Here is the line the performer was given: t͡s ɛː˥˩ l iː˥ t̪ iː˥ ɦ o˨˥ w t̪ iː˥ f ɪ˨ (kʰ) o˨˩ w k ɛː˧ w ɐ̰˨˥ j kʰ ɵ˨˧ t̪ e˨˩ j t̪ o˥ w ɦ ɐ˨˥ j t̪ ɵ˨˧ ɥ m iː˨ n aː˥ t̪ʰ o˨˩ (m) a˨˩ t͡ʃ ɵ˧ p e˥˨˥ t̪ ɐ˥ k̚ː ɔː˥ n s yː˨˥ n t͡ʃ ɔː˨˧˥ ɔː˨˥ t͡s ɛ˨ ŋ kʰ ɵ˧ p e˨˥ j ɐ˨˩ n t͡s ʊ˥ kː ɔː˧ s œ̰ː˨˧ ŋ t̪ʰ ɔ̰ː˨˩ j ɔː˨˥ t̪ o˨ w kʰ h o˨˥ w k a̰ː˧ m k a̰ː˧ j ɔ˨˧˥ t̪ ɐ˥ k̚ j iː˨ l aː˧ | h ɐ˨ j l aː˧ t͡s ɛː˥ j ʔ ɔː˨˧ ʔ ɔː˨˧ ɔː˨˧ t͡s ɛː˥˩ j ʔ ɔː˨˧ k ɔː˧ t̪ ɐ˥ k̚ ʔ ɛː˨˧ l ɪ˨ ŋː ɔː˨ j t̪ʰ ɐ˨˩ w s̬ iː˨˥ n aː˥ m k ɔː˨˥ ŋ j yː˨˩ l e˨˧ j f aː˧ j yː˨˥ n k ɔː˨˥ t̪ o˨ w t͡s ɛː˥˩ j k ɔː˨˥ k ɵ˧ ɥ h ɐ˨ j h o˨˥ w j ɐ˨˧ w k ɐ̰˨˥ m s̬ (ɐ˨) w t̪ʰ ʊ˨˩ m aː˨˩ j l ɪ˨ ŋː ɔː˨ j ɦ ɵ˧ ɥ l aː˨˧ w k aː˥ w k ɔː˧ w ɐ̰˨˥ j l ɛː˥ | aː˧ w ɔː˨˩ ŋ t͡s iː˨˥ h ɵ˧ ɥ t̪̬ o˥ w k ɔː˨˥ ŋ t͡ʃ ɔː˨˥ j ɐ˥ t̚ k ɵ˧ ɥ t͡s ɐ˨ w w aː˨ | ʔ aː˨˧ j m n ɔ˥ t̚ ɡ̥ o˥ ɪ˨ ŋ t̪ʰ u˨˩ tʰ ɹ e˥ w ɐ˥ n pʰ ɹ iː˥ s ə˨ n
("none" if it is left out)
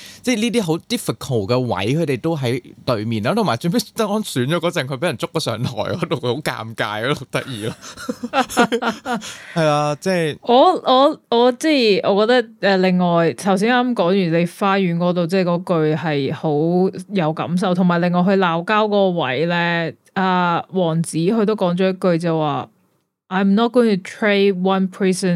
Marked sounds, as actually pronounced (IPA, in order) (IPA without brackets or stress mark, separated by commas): kʰ, m, ɐ˨